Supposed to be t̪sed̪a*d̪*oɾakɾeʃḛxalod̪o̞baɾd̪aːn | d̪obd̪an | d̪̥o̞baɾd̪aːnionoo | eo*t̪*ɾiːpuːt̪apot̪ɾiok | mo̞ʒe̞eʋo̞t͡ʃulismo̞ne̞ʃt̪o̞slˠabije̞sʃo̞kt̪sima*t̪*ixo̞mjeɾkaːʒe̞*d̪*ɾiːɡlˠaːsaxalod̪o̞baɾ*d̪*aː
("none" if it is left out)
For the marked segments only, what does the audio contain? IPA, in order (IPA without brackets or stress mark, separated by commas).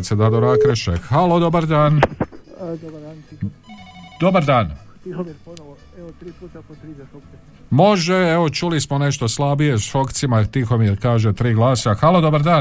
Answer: d̪, t̪, t̪, t̪, d̪